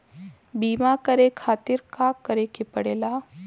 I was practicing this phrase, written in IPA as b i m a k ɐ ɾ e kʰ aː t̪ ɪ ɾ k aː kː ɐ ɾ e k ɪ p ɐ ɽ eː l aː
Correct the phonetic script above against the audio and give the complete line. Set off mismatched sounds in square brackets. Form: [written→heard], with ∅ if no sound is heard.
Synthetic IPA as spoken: b [i→iː] m a k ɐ ɾ e kʰ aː t̪ ɪ ɾ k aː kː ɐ ɾ e k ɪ p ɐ ɽ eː l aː